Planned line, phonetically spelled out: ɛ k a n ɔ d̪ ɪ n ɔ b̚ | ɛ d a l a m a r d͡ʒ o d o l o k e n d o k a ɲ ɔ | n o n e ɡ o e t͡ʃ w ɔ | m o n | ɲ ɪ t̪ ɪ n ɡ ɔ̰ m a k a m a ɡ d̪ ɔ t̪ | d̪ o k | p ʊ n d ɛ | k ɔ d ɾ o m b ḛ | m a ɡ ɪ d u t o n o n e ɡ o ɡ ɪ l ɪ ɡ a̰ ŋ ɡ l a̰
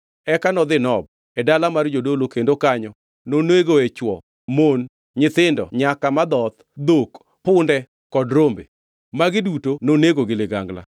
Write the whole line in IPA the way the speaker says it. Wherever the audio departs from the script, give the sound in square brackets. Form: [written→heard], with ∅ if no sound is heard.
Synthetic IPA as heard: ɛ k a n ɔ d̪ ɪ n ɔ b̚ | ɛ d a l a m a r d͡ʒ o d o l o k e n d o k a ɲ ɔ | n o n e ɡ o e t͡ʃ w ɔ | m o n | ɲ ɪ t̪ ɪ n [ɡ→d] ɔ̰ [m→ɲ] a k a m a [ɡ→∅] d̪ ɔ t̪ | d̪ o k | p ʊ n d ɛ | k ɔ d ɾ o m b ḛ | m a ɡ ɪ d u t o n o n e ɡ o ɡ ɪ l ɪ ɡ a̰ ŋ ɡ l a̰